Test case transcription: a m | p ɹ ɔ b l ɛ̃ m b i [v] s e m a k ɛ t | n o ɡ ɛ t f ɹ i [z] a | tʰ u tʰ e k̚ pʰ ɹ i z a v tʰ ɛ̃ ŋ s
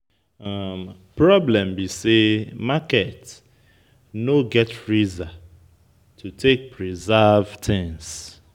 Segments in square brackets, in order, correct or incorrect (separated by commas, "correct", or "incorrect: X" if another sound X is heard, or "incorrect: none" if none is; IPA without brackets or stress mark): incorrect: none, correct